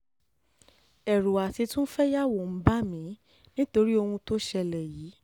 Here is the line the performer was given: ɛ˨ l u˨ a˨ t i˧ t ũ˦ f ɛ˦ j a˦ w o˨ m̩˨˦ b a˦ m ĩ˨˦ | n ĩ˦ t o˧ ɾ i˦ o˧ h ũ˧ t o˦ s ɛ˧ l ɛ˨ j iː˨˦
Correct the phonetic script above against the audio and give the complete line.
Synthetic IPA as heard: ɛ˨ ɾ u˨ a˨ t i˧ t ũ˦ f ɛ˦ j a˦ w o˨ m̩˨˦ b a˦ m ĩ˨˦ | n ĩ˦ t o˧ ɾ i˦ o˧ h ũ˧ t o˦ ʃ ɛ˧ l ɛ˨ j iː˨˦